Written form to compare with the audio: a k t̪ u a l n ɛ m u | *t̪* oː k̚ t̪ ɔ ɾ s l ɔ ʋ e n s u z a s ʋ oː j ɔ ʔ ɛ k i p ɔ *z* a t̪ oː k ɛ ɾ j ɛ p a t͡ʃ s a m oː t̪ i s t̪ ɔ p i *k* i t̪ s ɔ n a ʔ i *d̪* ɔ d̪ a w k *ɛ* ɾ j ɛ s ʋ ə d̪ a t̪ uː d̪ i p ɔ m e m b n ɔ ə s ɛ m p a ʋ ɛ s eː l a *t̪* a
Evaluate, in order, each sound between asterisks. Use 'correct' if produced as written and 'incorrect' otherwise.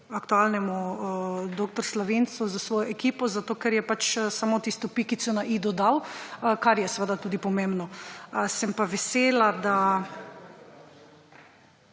incorrect, correct, correct, correct, incorrect, incorrect

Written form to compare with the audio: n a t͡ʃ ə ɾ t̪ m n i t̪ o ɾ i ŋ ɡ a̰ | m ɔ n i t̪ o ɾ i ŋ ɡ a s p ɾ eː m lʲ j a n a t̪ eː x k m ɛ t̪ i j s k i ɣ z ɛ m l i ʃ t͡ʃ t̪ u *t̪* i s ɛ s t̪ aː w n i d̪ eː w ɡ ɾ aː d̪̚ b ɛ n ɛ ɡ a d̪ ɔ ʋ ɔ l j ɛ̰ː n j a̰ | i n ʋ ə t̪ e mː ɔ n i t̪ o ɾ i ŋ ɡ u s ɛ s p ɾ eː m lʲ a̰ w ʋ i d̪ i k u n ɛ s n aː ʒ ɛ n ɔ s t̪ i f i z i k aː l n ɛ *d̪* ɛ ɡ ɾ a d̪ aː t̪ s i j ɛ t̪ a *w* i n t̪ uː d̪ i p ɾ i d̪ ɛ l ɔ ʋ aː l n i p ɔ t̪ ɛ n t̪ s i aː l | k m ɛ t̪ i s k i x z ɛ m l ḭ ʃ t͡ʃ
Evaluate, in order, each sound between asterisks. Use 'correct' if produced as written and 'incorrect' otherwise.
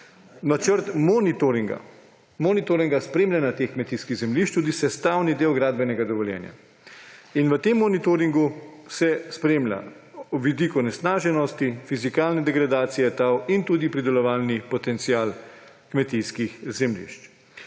incorrect, correct, correct

